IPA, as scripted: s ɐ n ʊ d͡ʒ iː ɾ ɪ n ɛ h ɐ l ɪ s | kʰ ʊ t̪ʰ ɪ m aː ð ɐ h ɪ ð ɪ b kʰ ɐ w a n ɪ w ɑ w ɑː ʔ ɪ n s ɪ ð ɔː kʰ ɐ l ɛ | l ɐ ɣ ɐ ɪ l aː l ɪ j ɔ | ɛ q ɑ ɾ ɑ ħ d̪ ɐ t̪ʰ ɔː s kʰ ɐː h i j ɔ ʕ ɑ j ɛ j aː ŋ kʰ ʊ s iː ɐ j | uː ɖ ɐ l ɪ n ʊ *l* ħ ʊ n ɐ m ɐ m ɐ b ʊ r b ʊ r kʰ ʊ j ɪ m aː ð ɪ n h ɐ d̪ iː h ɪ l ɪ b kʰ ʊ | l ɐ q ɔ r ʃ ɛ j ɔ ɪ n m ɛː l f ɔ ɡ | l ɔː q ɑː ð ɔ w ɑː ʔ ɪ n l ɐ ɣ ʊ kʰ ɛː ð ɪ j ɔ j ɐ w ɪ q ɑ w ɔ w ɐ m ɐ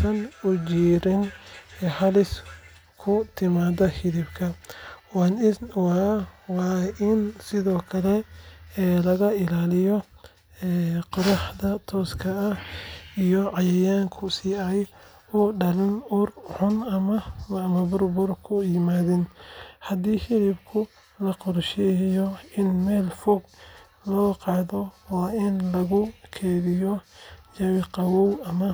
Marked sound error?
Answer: yes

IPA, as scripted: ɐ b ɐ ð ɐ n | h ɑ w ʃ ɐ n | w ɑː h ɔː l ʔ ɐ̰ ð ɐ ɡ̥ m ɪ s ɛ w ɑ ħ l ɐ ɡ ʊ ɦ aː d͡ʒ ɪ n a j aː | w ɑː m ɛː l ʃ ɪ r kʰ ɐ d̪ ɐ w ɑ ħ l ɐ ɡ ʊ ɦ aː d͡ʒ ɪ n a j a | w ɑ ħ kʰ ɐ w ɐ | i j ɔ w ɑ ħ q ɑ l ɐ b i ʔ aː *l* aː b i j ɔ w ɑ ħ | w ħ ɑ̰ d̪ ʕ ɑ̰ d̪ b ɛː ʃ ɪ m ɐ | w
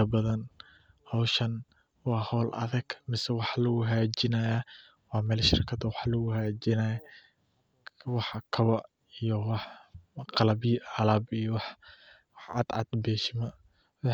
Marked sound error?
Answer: no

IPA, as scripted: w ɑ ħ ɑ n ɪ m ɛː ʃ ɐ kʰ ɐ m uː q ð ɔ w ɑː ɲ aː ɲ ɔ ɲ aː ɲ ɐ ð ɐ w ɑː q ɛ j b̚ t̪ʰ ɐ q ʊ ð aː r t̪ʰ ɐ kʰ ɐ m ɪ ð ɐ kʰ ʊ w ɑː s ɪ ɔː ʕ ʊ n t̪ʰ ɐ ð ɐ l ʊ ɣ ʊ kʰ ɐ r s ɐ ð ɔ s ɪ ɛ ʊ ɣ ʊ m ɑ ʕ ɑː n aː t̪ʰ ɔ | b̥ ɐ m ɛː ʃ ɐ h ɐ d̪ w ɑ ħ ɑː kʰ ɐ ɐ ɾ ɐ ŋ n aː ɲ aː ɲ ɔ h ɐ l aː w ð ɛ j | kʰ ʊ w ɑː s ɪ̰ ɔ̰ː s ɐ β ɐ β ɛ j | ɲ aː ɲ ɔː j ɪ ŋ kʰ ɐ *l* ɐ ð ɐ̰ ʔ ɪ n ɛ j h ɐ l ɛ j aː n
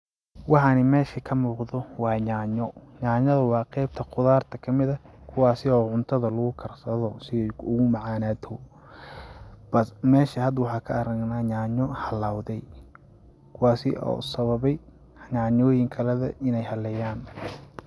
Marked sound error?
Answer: no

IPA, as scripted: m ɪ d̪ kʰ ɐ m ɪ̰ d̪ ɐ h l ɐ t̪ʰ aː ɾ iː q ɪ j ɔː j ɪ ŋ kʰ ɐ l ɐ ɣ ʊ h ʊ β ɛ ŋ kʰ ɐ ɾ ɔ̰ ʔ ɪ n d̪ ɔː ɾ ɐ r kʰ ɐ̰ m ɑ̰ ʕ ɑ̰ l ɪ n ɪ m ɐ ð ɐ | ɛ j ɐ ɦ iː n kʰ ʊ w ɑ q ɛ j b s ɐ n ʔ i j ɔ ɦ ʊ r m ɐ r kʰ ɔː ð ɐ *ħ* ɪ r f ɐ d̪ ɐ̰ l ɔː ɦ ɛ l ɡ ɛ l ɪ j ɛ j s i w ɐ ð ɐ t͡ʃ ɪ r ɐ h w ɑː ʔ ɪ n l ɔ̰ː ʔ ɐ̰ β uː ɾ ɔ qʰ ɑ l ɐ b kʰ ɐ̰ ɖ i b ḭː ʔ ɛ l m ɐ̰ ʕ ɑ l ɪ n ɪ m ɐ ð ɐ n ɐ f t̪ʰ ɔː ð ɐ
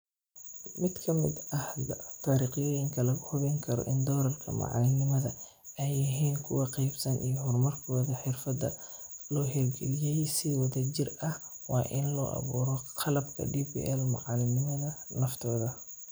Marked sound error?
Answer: no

